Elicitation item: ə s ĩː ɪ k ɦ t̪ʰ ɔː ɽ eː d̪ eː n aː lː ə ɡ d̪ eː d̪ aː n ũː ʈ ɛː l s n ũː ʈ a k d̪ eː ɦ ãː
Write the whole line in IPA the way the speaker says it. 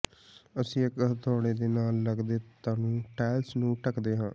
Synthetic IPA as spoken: ə s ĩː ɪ k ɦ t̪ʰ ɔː ɽ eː d̪ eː n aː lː ə ɡ d̪ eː t̪ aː n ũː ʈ ɛː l s n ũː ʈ ə k d̪ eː ɦ ãː